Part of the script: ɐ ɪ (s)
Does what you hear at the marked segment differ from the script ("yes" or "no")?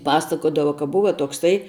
yes